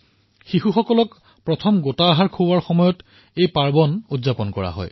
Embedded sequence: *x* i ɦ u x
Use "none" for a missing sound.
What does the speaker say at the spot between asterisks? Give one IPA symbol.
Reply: x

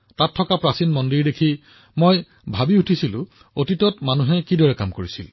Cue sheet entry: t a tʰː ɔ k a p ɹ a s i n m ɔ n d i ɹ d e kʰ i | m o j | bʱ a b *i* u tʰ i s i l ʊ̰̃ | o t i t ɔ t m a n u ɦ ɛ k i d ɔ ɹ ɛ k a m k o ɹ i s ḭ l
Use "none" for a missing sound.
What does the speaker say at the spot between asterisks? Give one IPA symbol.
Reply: i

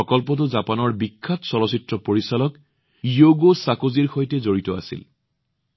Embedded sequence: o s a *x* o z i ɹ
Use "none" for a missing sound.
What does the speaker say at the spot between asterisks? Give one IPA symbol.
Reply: k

